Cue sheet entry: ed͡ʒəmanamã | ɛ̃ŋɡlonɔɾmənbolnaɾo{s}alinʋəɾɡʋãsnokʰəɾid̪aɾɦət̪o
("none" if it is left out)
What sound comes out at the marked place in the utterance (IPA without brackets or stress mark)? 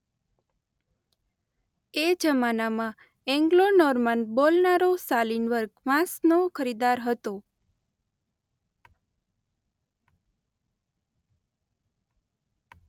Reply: s